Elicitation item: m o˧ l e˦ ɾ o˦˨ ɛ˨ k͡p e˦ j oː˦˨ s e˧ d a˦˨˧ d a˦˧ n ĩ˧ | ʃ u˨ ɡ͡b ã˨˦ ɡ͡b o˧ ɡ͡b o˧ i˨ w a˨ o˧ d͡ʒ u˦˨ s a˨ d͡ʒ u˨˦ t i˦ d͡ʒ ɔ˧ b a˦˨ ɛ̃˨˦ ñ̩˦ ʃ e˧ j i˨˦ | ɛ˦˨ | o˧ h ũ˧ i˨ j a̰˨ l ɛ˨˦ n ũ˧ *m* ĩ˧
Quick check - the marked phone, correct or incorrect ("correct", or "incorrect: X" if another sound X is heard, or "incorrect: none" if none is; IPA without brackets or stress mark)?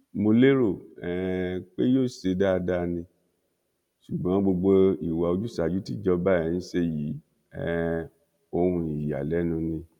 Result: incorrect: n